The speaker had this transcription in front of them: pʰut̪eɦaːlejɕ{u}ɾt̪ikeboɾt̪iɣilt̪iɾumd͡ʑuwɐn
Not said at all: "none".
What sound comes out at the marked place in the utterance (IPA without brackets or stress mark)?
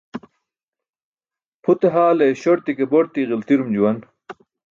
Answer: o